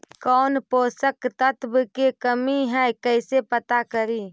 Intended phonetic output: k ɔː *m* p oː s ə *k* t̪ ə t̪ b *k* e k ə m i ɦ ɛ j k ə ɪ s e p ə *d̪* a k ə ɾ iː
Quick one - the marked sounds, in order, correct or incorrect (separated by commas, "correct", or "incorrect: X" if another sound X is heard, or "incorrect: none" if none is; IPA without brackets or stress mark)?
incorrect: n, correct, correct, incorrect: t̪